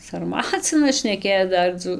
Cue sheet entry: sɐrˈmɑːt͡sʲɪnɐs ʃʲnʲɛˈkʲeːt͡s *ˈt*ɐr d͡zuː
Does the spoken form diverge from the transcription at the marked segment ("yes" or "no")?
yes